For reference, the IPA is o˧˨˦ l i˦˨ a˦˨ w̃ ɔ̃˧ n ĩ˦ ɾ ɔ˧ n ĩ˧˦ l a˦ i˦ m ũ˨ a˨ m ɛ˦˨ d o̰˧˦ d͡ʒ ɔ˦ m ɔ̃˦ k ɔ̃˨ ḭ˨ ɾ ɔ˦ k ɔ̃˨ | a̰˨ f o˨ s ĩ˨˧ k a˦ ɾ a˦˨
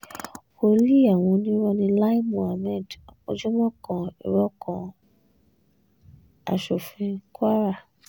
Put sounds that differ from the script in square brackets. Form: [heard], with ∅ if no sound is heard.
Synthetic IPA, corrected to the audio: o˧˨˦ l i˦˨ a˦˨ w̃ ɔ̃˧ n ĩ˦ ɾ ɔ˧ n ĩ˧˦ l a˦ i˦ m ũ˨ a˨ m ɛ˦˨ d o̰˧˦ d͡ʒ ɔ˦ m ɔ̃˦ k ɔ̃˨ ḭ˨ ɾ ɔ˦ k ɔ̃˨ | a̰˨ [ʃ] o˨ [f] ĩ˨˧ k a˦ ɾ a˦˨